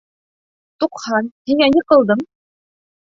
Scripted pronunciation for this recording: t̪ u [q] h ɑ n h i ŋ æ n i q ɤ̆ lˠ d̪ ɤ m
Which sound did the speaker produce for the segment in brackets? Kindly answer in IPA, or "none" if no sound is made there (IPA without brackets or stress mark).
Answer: q